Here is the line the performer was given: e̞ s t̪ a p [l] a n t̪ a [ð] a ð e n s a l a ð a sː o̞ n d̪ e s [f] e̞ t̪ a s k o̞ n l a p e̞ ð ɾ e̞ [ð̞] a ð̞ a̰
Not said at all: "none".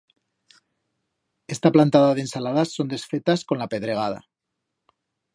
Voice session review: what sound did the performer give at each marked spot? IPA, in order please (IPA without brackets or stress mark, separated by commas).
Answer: l, ð, f, ɣ̞